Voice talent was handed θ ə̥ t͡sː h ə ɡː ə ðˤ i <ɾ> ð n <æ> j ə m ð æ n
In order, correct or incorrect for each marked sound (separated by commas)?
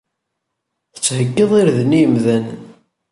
correct, incorrect